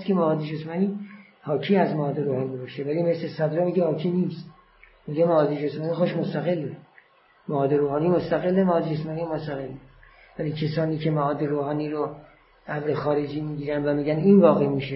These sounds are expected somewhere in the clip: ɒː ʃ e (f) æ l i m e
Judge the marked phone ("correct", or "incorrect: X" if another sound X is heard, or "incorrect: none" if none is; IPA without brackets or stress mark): incorrect: v